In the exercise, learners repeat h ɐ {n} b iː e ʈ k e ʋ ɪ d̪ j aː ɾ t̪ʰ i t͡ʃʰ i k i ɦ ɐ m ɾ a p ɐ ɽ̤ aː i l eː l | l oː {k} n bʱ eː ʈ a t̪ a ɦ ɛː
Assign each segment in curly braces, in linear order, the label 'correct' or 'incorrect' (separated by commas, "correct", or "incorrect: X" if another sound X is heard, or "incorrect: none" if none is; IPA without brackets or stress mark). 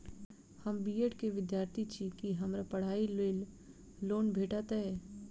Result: incorrect: m, incorrect: none